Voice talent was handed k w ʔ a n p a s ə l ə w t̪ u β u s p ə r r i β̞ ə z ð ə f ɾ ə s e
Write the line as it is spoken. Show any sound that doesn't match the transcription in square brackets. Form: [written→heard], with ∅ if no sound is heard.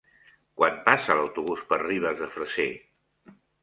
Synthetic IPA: k w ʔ a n p a s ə l ə w t̪ u β u s p ə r r i β̞ ə z ð ə f ɾ ə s e